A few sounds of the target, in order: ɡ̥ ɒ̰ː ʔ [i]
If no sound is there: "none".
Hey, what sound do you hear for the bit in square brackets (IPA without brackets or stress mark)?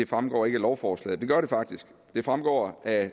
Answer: æ